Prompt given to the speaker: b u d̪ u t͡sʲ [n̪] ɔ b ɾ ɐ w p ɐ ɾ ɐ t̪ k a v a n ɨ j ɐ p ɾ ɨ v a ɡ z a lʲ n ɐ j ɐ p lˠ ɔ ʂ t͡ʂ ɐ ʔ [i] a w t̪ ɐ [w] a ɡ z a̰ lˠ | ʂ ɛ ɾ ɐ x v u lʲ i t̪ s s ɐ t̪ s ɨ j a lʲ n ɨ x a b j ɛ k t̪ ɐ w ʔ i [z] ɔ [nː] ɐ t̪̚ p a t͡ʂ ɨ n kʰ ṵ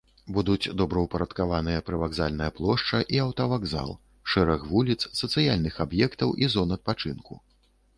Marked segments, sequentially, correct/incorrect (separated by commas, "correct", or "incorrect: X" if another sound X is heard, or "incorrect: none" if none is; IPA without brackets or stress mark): incorrect: d̪, correct, incorrect: v, correct, incorrect: n